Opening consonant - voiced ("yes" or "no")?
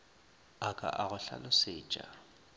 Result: no